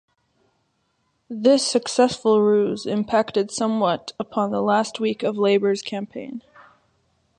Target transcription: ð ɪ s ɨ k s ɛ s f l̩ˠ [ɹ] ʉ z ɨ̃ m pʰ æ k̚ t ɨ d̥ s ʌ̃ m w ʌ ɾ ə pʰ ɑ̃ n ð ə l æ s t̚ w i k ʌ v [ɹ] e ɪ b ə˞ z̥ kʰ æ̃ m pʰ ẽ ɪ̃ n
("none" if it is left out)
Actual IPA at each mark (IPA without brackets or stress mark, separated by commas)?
ɹ, l